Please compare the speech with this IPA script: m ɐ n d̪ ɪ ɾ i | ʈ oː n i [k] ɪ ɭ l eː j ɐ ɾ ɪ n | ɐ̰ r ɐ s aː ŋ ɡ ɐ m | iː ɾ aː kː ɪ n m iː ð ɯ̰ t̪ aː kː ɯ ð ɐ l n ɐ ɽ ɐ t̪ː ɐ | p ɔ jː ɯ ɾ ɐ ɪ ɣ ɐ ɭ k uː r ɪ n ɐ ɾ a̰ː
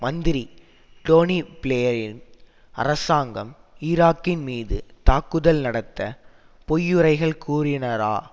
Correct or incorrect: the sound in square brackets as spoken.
incorrect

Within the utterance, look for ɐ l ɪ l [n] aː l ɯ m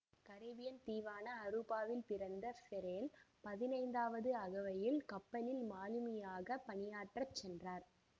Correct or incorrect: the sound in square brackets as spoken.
incorrect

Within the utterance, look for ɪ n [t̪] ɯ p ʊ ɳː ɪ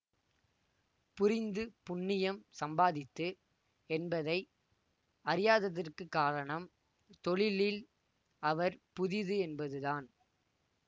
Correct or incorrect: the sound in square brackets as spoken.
incorrect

